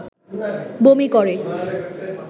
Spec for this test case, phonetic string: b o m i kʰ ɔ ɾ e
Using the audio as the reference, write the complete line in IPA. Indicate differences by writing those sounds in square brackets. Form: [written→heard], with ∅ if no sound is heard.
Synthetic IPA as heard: b o m i [kʰ→k] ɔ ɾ e